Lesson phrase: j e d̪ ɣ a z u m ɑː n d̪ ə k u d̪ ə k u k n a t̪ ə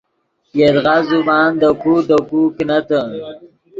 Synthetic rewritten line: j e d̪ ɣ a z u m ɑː n d̪ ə k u d̪ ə k u k n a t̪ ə